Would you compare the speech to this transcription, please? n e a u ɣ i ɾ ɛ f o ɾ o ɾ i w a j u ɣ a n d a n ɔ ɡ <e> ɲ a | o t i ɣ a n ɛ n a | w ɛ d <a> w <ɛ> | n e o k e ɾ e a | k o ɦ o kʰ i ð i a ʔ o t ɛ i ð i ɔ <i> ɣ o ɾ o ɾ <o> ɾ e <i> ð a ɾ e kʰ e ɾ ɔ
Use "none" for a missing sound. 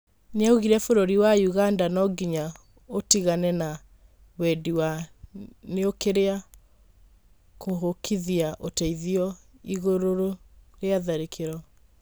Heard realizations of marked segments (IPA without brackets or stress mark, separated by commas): i, i, a, i, o, a